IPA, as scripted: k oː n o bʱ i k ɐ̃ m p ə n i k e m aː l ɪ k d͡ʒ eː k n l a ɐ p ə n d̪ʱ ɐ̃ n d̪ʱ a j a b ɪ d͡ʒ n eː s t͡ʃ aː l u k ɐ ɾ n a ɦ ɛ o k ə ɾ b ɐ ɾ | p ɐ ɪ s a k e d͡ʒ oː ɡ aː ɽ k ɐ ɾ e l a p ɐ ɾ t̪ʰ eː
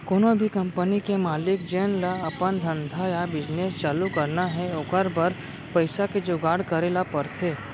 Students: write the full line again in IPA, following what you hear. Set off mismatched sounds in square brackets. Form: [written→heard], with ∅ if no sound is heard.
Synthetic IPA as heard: k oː n o bʱ i k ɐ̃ m p ə n i k e m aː l ɪ k d͡ʒ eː [k→∅] n l a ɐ p ə n d̪ʱ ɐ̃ n d̪ʱ a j a b ɪ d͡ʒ n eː s t͡ʃ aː l u k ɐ ɾ n a ɦ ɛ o k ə ɾ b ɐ ɾ | p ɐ ɪ s a k e d͡ʒ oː ɡ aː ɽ k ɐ ɾ e l a p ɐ ɾ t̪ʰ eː